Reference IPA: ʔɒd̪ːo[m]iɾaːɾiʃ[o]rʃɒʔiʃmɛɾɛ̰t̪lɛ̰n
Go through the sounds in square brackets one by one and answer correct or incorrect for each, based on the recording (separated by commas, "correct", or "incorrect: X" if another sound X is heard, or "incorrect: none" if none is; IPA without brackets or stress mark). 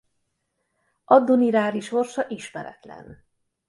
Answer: incorrect: n, correct